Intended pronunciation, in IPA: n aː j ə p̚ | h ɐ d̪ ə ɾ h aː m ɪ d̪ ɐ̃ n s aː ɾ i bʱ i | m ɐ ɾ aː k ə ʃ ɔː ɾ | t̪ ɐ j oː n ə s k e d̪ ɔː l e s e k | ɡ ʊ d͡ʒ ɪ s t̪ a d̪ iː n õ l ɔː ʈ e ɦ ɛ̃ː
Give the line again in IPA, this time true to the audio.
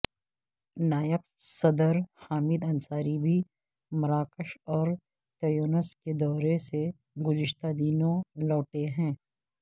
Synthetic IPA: n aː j ə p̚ | s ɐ d̪ ə ɾ h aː m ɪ d̪ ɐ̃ n s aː ɾ i bʱ i | m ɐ ɾ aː k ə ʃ ɔː ɾ | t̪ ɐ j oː n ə s k e d̪ ɔː ɾ e s e | ɡ ʊ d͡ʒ ɪ ʃ t̪ a d̪ iː n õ l ɔː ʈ e ɦ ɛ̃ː